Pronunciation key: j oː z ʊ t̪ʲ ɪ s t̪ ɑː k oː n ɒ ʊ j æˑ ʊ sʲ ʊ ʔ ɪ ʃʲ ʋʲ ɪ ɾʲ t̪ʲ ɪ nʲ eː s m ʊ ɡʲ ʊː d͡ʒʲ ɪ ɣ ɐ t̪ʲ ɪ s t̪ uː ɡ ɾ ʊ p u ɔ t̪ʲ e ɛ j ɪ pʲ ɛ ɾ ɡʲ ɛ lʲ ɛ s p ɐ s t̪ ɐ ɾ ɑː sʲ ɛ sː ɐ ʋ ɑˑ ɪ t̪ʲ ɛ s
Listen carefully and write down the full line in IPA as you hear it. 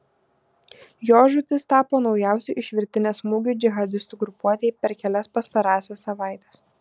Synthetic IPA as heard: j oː ʒ ʊ t̪ʲ ɪ s t̪ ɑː p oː n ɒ ʊ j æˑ ʊ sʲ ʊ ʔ ɪ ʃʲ ʋʲ ɪ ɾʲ t̪ʲ ɪ nʲ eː s m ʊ ɡʲ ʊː d͡ʒʲ ɪ ɣ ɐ d̪ʲ ɪ s t̪ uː ɡ ɾ ʊ p u ɔ t̪ʲ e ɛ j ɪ pʲ ɛ ɾ kʲ ɛ lʲ ɛ s p ɐ s t̪ ɐ ɾ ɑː sʲ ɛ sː ɐ ʋ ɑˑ ɪ t̪ʲ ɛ s

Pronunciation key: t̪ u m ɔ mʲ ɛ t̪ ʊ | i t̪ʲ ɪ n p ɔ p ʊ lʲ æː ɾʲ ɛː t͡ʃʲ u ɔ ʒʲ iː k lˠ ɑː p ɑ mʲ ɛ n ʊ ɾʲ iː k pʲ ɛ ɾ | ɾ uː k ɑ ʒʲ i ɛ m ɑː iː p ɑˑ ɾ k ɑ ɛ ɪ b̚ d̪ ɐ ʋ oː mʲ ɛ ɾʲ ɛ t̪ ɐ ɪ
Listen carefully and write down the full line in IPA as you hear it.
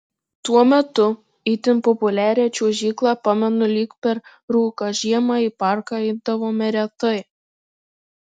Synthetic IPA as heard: t̪ u ɔ mʲ ɛ t̪ ʊ | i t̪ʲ ɪ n p ɔ p ʊ lʲ æː ɾʲ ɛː t͡ʃʲ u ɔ ʒʲ iː k lˠ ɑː p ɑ mʲ ɛ n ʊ lʲ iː k pʲ ɛ ɾ | ɾ uː k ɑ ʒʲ i ɛ m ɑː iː p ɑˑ ɾ k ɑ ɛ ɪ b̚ d̪ ɐ ʋ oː mʲ ɛ ɾʲ ɛ t̪ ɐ ɪ

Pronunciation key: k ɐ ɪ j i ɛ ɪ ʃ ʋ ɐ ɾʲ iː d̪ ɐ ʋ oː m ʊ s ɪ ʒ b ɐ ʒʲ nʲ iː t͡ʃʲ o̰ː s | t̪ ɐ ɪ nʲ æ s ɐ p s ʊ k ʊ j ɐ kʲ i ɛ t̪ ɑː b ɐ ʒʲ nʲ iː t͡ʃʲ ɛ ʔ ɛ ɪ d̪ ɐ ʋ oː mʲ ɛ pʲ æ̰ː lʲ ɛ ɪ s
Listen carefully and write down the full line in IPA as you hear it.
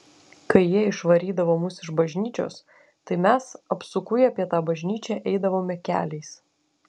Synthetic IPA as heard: k ɐ ɪ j i ɛ ɪ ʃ ʋ ɐ ɾʲ iː d̪ ɐ ʋ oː m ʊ s ɪ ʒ b ɐ ʒʲ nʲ iː t͡ʃʲ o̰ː s | t̪ ɐ ɪ mʲ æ s ɐ p s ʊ k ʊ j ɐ pʲ i ɛ t̪ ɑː b ɐ ʒʲ nʲ iː t͡ʃʲ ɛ ʔ ɛ ɪ d̪ ɐ ʋ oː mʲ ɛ kʲ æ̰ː lʲ ɛ ɪ s

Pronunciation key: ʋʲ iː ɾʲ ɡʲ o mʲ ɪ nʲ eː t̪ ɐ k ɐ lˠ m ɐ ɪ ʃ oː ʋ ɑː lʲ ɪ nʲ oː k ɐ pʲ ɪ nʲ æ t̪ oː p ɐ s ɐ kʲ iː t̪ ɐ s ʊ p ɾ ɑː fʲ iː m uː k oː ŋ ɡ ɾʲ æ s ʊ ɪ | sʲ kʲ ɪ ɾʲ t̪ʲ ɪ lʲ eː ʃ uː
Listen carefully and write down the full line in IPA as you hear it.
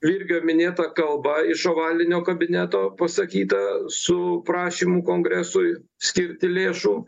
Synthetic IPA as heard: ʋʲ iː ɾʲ ɡʲ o mʲ ɪ nʲ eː t̪ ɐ k ɐ lˠ b ɐ ɪ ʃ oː ʋ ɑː lʲ ɪ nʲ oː k ɐ bʲ ɪ nʲ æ t̪ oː p ɐ s ɐ kʲ iː t̪ ɐ s ʊ p ɾ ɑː ʃʲ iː m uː k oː ŋ ɡ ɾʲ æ s ʊ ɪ | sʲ kʲ ɪ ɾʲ t̪ʲ ɪ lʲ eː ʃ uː

